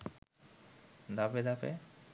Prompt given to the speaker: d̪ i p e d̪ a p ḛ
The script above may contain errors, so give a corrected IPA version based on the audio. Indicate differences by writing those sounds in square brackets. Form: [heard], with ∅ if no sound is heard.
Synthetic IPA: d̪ [a] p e d̪ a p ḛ